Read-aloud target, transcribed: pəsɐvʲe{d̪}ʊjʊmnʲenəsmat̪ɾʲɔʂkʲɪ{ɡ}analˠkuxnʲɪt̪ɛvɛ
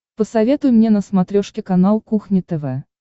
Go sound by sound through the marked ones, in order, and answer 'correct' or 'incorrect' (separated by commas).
incorrect, incorrect